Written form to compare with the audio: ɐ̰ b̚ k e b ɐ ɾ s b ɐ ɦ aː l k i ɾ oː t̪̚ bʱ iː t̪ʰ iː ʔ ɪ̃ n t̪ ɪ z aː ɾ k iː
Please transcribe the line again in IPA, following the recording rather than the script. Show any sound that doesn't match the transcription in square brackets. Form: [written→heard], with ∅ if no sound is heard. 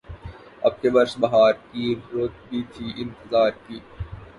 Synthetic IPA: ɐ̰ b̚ k e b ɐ ɾ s b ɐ ɦ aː [l→ɾ] k i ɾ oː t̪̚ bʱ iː t̪ʰ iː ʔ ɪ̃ n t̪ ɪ z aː ɾ k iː